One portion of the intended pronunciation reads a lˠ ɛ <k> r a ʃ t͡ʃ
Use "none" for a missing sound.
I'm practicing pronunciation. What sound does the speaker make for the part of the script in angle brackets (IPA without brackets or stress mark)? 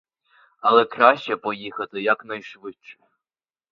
k